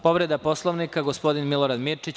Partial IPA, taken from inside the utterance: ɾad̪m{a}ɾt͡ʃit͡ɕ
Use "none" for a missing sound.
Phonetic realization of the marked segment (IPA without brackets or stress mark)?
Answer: i